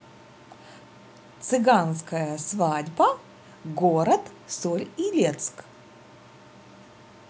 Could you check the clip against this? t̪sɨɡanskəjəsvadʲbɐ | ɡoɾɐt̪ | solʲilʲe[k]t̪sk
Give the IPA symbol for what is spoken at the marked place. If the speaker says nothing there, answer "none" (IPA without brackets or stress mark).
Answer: none